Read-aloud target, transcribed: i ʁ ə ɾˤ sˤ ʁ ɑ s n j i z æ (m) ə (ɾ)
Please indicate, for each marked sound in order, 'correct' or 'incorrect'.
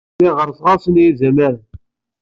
correct, correct

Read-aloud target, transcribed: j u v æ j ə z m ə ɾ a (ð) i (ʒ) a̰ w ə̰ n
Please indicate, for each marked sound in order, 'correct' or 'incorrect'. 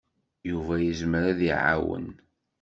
correct, incorrect: ʕ

